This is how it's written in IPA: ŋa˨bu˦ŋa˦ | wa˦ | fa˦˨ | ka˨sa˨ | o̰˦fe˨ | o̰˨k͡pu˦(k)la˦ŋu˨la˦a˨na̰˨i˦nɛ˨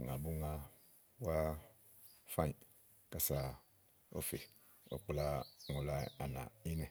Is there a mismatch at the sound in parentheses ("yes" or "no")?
yes